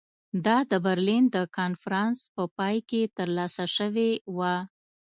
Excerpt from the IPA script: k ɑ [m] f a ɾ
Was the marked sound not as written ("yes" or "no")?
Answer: yes